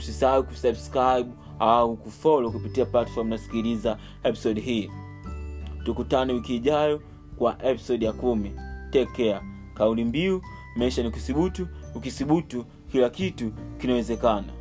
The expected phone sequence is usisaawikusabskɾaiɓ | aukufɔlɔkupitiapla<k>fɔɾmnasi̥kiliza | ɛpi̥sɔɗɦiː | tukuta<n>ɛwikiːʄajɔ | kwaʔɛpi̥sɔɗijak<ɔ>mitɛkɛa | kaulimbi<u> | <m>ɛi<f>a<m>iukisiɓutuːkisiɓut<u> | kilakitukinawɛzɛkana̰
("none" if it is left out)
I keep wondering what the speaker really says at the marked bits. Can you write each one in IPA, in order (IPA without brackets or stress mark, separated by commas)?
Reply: t, n, u, u, m, ʃ, n, u